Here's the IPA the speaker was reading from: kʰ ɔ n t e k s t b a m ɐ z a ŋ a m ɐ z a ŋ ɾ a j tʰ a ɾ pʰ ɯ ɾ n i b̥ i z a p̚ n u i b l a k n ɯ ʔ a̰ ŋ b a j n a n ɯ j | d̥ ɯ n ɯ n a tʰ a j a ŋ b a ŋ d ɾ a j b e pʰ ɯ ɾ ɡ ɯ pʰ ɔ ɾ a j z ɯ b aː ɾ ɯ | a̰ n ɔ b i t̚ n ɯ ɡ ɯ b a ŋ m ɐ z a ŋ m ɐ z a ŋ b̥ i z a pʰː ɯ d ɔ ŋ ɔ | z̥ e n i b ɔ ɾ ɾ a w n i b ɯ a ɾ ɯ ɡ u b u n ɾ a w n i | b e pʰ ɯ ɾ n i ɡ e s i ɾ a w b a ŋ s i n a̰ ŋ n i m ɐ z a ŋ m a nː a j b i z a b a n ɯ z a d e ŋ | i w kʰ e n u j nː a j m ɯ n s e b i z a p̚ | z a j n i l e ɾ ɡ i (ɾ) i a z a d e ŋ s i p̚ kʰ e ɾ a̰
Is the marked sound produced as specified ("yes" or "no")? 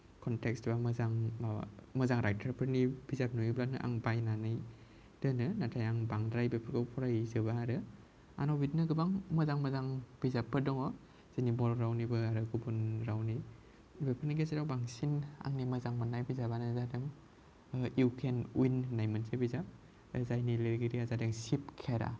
yes